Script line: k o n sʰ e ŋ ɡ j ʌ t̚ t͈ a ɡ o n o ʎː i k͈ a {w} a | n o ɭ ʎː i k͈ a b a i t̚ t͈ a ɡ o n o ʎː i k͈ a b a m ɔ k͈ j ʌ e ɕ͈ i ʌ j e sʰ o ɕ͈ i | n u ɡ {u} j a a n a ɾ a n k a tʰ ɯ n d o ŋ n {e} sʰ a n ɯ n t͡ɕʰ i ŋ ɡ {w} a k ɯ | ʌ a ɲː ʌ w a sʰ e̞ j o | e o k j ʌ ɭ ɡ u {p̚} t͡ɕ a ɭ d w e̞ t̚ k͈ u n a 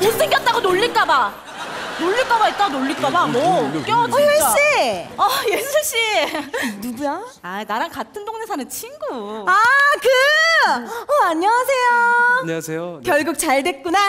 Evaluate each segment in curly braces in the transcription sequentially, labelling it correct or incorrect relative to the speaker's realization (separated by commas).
incorrect, correct, correct, incorrect, incorrect